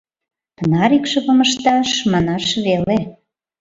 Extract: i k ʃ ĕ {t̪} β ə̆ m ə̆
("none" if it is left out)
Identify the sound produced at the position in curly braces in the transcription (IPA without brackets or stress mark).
none